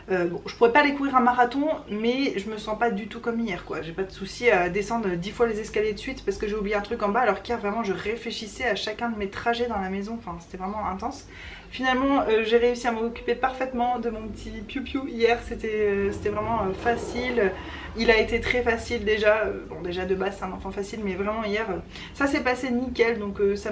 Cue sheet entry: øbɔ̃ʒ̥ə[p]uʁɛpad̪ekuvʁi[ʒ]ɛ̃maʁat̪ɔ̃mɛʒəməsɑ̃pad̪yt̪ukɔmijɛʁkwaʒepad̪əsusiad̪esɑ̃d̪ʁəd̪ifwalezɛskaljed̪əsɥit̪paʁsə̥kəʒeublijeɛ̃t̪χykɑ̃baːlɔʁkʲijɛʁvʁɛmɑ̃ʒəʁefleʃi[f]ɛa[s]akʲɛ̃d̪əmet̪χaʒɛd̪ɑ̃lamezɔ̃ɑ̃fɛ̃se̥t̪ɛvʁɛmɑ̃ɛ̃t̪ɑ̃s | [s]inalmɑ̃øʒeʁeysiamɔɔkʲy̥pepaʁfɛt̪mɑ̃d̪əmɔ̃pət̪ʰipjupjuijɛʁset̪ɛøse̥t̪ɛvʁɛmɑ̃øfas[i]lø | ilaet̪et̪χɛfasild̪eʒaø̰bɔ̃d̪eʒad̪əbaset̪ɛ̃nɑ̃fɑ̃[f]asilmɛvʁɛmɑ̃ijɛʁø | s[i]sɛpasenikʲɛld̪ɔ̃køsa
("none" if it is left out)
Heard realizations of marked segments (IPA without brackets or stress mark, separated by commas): p, ʁ, s, ʃ, f, i, f, a